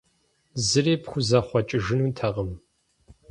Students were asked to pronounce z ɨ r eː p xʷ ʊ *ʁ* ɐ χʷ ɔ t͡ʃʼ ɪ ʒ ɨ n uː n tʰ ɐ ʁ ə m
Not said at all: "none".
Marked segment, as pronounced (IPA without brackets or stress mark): z